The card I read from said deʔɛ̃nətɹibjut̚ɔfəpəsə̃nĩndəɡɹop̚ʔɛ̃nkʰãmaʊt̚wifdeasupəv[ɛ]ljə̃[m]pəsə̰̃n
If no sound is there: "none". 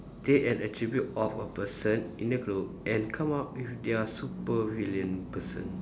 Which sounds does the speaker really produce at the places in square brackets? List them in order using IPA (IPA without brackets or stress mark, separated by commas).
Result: i, n